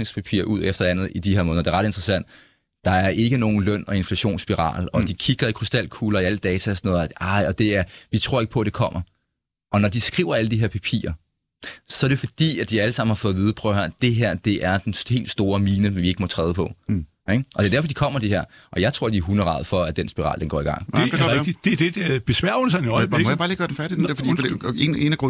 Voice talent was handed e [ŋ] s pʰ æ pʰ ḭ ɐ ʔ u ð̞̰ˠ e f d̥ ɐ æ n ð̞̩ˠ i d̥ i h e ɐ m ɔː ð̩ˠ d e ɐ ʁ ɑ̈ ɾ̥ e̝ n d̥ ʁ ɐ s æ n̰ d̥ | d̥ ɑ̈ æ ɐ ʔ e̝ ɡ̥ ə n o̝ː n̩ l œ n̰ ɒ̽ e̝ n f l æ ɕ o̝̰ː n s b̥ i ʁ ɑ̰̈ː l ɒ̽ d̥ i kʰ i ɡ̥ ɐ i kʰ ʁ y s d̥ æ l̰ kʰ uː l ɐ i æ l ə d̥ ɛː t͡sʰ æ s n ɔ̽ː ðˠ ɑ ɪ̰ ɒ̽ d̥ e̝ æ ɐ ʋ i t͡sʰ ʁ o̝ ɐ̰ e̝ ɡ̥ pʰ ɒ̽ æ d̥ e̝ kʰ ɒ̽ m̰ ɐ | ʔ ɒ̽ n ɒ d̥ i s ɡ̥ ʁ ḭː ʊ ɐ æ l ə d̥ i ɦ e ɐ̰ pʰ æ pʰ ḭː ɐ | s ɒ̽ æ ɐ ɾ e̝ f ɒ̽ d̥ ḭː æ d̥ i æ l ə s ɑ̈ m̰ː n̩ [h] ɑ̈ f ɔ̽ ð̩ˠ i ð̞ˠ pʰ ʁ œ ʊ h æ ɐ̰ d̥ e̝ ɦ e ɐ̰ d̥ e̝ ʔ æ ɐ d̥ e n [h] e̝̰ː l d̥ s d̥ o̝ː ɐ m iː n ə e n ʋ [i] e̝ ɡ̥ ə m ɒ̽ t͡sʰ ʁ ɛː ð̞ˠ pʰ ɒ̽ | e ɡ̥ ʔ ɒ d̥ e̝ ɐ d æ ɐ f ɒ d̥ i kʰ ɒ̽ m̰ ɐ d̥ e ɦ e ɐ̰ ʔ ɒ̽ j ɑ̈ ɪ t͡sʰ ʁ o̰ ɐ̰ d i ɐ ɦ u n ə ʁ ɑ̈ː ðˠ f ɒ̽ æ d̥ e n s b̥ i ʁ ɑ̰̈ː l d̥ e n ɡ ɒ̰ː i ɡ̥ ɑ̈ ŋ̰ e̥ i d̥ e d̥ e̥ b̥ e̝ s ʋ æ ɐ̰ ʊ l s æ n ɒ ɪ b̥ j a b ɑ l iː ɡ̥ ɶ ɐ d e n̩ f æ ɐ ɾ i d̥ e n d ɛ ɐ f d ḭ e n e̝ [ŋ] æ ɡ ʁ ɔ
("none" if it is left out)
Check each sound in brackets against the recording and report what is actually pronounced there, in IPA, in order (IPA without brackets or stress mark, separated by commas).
ŋ, h, h, i, n